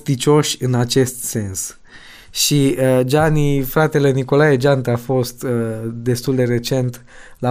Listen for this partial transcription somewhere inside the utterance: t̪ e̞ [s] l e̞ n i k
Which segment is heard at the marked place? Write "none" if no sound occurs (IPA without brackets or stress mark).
none